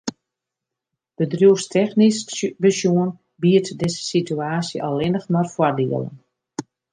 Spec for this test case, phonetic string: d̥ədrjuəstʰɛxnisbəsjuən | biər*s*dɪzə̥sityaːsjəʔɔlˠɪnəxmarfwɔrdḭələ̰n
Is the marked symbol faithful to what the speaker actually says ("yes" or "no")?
no